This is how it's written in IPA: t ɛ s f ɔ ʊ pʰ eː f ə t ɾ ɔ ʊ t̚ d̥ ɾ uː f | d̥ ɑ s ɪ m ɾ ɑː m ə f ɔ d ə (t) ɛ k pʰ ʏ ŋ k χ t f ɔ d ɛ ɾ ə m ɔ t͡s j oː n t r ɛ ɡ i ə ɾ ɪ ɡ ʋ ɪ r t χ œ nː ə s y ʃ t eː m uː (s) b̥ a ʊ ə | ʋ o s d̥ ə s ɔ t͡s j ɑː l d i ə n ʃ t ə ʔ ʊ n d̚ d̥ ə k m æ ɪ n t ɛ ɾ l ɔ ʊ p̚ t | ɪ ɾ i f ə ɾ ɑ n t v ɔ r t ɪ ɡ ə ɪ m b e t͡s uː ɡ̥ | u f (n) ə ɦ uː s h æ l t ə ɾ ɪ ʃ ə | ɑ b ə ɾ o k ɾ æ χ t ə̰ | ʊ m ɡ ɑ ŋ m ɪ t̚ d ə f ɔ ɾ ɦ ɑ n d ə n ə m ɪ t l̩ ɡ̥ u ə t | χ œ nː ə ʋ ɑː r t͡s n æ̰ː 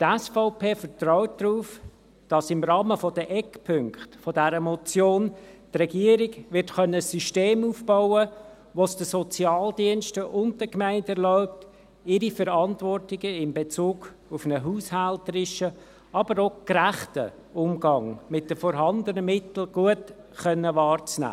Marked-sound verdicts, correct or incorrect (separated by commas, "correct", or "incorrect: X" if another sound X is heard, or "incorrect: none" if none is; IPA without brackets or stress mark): incorrect: ʔ, incorrect: f, correct